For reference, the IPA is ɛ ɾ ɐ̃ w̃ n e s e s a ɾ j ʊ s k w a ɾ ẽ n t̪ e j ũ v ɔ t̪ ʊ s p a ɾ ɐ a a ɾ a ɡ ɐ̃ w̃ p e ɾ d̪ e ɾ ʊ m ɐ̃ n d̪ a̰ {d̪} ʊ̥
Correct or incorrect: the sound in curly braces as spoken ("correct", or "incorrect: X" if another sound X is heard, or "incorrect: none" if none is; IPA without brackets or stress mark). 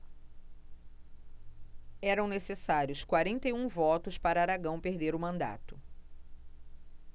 incorrect: t̪